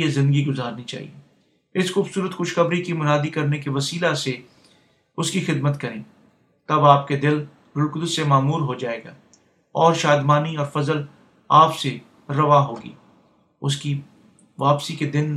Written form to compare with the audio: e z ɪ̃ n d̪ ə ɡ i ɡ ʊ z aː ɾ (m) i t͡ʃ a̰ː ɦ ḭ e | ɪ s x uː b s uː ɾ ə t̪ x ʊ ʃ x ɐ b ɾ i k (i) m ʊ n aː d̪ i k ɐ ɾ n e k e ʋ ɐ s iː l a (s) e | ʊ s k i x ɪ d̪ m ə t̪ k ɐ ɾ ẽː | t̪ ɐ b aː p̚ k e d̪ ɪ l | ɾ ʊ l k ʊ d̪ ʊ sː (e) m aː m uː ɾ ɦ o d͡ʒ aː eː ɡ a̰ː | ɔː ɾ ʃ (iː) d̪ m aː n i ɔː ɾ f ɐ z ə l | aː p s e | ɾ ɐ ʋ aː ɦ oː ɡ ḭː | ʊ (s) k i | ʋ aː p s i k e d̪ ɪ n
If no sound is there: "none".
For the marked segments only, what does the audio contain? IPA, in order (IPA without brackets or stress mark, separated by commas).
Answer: n, i, s, e, aː, s